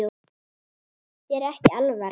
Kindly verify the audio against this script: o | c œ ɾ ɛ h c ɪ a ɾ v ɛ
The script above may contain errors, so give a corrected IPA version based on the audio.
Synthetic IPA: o | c ɛ ɾ ɛ h c ɪ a l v a